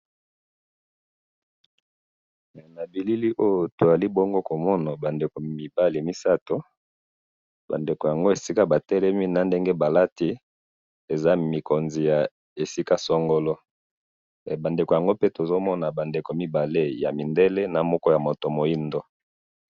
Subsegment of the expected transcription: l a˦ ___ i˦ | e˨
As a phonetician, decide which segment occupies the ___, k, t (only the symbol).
t